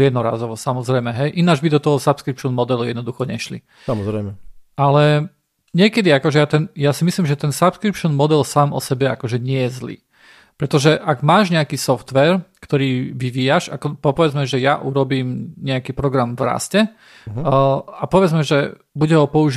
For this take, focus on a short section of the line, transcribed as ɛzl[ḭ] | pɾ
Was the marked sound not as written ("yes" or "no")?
yes